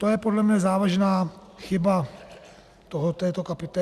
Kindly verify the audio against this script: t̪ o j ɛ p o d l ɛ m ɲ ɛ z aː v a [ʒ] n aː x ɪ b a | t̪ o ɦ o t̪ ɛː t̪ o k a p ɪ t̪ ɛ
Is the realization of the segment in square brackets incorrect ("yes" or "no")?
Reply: no